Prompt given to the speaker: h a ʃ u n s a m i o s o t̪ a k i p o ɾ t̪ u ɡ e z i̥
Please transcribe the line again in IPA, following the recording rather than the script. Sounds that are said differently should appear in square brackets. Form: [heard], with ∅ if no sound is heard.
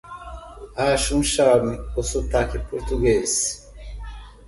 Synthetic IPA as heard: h a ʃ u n [ʃ] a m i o s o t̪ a k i p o ɾ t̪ u ɡ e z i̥